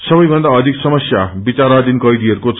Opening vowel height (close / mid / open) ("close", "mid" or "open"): mid